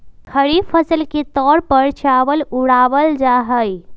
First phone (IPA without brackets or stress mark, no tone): kʰ